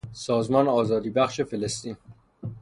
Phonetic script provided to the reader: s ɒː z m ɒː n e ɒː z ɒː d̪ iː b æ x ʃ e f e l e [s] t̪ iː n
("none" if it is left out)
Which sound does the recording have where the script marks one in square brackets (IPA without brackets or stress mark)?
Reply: s